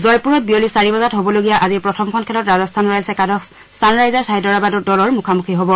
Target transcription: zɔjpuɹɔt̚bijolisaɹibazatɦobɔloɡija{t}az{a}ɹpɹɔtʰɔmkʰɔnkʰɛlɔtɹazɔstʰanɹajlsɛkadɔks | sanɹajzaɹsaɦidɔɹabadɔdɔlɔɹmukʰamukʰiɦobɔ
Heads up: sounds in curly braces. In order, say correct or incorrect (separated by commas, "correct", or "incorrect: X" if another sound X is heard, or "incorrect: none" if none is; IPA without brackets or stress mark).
incorrect: ʔ, incorrect: i